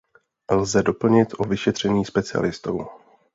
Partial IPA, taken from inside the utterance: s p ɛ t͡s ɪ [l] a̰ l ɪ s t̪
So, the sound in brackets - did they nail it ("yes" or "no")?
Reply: no